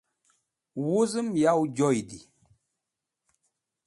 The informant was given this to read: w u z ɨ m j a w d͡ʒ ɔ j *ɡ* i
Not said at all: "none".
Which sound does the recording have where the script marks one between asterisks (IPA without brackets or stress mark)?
d